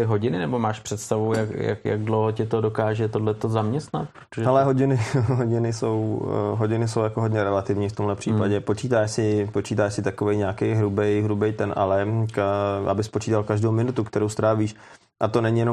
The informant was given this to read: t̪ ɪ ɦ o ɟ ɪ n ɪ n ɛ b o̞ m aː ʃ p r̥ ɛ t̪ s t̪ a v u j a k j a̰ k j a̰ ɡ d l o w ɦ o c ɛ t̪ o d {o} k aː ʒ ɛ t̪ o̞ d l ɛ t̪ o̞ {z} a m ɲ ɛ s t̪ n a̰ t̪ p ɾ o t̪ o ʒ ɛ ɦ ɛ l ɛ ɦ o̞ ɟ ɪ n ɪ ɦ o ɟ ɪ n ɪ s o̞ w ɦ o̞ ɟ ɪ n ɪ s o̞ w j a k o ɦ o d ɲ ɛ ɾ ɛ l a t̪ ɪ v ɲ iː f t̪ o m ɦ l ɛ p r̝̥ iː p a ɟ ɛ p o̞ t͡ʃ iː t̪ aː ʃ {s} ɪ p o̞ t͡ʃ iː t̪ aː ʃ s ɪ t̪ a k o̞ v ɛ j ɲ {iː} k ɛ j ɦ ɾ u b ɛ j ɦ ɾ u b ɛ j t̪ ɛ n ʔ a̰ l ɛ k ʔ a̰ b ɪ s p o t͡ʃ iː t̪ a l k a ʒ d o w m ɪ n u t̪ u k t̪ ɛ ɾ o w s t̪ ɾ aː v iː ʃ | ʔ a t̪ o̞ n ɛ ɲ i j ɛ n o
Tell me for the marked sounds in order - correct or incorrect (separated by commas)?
correct, correct, correct, incorrect